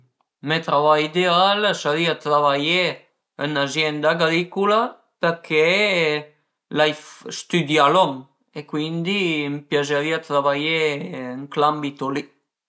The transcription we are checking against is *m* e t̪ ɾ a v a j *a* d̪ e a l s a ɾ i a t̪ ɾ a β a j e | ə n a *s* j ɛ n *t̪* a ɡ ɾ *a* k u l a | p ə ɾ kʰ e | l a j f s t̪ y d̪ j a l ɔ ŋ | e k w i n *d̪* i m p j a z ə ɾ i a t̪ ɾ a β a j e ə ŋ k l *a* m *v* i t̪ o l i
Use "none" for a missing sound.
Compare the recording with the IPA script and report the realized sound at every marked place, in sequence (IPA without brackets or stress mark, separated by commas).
m, i, z, d̪, i, d̪, a, b